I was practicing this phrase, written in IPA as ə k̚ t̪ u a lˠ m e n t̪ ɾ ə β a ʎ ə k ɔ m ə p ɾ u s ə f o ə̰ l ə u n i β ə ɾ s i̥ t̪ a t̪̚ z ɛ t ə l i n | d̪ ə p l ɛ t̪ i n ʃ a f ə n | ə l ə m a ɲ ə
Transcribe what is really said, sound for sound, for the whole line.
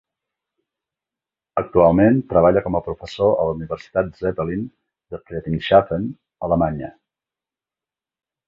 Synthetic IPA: ə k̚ t̪ u a lˠ m e n t̪ ɾ ə β a ʎ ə k ɔ m ə p ɾ u f ə s o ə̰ l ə u n i β ə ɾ s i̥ t̪ a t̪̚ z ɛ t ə l i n | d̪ ə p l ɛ t̪ i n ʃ a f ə n | ə l ə m a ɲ ə